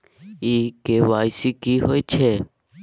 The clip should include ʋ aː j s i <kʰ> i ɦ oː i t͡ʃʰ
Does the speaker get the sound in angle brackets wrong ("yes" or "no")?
yes